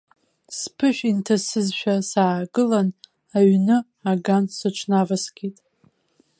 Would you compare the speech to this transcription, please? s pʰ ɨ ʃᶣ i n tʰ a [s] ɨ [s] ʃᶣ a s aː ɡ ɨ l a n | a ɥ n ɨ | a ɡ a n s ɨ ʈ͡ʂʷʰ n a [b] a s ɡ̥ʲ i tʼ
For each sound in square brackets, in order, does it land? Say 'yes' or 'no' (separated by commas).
yes, no, no